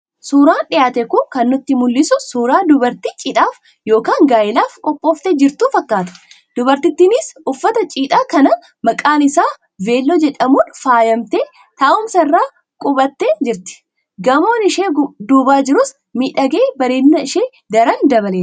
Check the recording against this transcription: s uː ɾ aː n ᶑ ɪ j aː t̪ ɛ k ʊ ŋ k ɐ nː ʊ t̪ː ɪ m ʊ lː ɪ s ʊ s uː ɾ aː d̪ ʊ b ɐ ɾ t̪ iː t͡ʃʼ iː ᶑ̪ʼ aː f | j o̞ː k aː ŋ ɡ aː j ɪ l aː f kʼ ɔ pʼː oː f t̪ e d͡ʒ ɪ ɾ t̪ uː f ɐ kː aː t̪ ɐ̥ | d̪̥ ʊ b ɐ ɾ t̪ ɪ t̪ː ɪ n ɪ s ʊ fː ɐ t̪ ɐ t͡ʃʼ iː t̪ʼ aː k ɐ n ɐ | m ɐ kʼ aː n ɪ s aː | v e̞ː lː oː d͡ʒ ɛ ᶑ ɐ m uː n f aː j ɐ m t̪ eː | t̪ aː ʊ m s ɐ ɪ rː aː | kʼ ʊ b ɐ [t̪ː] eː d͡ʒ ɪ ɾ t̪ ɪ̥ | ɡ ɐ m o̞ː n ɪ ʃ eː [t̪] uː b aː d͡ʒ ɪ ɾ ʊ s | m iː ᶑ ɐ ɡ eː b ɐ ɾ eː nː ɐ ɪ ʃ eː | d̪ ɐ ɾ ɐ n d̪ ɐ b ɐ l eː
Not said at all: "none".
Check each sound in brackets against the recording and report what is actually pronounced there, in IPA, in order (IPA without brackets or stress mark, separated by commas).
t̪ː, d̪